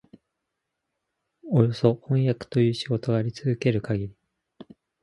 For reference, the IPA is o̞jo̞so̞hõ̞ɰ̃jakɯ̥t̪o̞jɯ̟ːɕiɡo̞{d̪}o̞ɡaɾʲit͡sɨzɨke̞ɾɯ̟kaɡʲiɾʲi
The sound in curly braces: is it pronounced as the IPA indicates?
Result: no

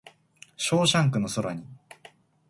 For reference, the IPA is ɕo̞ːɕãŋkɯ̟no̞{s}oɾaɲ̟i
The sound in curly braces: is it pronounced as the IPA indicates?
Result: yes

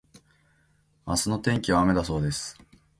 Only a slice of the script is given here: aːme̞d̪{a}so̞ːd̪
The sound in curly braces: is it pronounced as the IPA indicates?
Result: yes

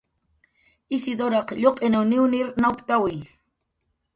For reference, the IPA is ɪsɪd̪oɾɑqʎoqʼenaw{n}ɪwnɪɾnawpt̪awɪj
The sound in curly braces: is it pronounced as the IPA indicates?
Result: yes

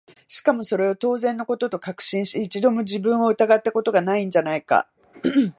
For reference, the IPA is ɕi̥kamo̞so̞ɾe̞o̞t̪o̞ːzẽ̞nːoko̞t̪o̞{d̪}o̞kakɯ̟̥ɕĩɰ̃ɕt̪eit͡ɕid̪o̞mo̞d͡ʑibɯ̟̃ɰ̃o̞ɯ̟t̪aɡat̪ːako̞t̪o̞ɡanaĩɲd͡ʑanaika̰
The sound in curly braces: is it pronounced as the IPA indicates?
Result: no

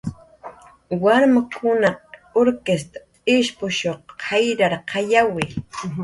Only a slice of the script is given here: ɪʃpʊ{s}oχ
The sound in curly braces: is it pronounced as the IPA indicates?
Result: no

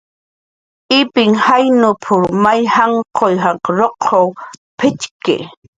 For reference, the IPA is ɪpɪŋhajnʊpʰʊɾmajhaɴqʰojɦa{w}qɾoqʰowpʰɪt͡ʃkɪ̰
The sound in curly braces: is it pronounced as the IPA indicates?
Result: no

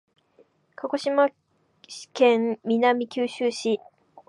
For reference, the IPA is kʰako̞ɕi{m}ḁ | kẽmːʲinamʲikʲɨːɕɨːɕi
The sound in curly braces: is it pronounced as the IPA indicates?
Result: yes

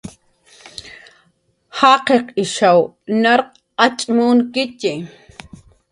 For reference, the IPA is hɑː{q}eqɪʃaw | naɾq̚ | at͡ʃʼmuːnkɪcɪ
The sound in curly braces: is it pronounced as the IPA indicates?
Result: yes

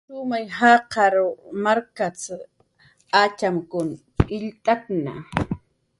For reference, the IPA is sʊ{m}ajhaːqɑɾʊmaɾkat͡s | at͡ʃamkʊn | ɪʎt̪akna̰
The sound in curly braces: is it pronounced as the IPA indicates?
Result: yes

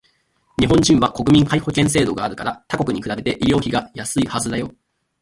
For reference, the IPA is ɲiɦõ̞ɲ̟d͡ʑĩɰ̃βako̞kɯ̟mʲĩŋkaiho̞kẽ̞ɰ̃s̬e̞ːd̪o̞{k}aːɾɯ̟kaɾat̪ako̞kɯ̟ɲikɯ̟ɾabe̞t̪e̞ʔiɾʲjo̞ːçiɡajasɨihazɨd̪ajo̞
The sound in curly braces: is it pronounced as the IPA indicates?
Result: no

